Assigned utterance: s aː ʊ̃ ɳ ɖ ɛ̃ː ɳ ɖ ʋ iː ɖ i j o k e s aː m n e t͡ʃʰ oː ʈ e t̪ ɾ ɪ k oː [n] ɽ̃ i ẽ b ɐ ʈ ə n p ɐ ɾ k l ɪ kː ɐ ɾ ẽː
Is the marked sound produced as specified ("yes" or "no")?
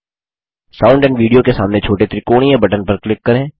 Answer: no